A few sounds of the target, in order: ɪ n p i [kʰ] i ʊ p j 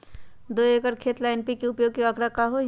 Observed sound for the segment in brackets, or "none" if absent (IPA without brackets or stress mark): k